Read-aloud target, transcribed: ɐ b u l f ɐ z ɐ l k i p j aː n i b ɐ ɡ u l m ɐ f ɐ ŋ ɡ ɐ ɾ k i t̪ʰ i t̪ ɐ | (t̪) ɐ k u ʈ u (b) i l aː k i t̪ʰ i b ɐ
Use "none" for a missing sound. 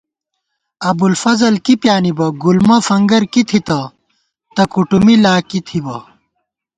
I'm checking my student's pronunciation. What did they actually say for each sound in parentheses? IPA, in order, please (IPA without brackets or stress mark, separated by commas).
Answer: t̪, m